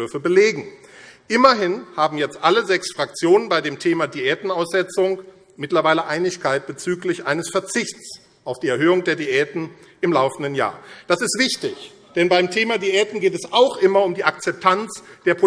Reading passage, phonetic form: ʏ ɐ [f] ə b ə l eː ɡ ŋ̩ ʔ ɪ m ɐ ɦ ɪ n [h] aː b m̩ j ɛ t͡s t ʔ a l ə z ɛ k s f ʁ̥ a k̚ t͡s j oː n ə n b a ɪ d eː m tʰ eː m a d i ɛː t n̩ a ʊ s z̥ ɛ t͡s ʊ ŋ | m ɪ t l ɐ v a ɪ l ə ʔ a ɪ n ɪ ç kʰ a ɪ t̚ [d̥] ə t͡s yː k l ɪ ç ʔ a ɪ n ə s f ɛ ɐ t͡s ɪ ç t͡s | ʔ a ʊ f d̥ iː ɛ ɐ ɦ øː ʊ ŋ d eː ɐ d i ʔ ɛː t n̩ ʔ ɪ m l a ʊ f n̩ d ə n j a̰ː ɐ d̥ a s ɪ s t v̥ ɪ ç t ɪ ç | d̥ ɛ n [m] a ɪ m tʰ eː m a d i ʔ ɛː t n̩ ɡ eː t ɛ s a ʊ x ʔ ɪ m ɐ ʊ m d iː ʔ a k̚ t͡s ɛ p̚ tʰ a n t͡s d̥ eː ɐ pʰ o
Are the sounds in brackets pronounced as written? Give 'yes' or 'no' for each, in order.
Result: yes, yes, no, no

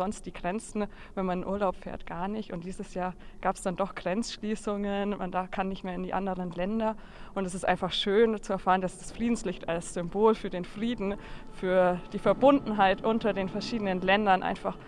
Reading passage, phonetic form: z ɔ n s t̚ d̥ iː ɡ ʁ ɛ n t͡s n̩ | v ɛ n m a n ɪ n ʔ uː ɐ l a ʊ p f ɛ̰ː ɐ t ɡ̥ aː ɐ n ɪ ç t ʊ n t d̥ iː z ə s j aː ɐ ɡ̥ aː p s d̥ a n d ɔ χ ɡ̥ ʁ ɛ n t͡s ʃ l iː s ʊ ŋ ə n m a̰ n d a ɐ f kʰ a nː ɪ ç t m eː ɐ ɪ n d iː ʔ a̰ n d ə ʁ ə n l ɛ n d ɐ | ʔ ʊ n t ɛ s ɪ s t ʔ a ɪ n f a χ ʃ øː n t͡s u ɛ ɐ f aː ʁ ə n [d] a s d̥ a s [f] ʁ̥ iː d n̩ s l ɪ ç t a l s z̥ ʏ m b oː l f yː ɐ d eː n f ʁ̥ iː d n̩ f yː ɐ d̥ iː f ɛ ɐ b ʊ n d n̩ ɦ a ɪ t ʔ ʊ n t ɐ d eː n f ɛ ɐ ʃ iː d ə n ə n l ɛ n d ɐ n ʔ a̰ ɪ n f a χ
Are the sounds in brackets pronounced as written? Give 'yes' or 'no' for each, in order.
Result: yes, yes

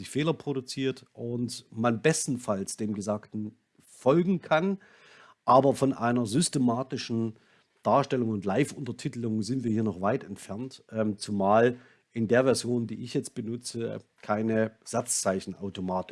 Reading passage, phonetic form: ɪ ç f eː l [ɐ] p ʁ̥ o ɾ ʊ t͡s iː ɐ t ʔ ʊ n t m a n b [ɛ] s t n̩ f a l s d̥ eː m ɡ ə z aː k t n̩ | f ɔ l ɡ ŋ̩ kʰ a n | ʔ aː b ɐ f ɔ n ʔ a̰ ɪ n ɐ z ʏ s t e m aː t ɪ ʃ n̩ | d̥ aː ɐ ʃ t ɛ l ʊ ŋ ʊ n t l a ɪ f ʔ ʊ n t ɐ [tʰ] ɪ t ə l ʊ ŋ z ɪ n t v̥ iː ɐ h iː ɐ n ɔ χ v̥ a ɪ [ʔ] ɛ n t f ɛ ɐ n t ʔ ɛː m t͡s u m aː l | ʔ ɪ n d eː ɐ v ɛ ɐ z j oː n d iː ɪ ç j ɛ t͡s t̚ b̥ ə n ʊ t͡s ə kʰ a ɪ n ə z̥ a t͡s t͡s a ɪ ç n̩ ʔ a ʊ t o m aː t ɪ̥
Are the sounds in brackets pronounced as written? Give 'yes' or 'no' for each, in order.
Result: yes, yes, yes, no

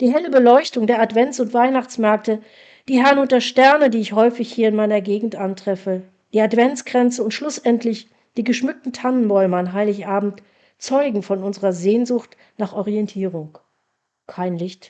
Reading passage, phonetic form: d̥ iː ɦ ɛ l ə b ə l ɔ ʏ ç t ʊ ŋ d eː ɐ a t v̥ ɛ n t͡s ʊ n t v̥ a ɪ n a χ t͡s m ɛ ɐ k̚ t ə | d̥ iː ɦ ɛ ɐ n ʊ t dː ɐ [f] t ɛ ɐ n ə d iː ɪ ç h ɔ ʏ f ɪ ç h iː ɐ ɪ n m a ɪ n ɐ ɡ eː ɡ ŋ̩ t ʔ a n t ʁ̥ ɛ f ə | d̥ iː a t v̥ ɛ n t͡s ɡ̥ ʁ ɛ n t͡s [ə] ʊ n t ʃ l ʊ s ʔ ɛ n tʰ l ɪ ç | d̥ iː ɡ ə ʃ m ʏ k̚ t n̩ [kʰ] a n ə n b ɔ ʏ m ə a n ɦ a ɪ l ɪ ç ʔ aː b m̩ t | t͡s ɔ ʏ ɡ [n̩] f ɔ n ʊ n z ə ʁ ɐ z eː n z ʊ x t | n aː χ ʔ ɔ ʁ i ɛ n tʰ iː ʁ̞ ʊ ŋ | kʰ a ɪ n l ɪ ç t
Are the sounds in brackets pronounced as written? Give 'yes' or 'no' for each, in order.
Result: no, yes, no, no

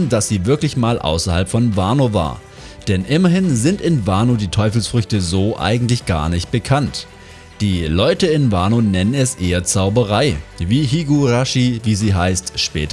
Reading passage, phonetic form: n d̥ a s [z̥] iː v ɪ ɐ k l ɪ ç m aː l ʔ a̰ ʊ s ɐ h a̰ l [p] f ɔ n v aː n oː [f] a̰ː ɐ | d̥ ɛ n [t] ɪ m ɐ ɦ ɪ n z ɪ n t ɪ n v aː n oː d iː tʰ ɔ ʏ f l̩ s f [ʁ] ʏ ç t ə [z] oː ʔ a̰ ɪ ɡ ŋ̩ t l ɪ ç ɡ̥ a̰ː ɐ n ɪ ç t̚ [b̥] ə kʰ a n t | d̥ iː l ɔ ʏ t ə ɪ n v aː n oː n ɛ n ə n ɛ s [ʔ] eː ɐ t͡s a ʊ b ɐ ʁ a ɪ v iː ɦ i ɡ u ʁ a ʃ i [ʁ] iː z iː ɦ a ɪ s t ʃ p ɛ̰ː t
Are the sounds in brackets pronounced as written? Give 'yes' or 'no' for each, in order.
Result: yes, yes, no, no, yes, yes, yes, yes, no

